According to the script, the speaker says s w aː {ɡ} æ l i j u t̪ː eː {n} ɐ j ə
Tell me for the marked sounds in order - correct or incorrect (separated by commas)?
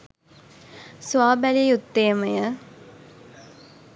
incorrect, incorrect